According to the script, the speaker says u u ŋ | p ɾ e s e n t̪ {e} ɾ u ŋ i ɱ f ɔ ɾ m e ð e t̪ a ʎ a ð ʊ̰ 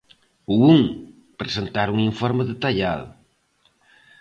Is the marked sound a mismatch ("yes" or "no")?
yes